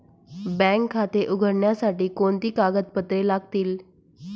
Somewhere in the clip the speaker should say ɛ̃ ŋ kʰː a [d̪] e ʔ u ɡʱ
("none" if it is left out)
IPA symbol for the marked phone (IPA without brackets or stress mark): t̪